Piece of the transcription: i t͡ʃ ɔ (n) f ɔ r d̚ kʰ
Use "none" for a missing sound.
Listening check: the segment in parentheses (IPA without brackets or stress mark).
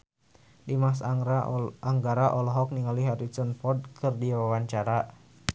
n